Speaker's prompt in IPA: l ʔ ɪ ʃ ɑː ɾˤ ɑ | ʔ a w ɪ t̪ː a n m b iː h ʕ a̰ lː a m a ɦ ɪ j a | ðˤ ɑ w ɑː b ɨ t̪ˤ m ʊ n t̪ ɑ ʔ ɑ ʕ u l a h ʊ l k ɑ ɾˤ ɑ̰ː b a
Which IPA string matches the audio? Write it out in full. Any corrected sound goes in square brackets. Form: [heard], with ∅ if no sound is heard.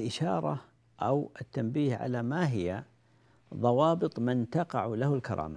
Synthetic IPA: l ʔ ɪ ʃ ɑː ɾˤ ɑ | ʔ a w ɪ t̪ː a [∅] m b iː h ʕ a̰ [l] a m a ɦ ɪ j a | ðˤ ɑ w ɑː b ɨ t̪ˤ m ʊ n t̪ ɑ [q] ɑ ʕ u l a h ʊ l k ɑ ɾˤ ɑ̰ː [m] a